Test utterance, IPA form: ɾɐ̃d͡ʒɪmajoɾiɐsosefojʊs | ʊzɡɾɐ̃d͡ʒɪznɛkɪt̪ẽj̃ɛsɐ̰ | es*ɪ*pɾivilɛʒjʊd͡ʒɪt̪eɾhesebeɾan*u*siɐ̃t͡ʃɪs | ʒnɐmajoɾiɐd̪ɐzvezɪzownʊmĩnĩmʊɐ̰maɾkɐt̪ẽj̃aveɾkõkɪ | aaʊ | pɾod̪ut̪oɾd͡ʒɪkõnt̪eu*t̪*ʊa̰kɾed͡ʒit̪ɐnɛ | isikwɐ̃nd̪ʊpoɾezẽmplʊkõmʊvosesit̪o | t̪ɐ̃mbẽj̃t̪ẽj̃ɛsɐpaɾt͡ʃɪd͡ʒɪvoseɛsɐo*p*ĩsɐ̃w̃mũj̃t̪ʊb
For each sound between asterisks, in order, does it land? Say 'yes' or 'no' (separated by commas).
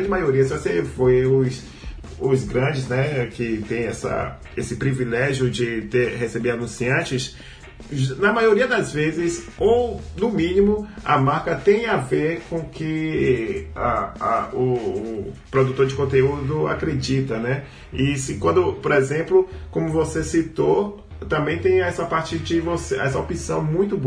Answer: yes, no, no, yes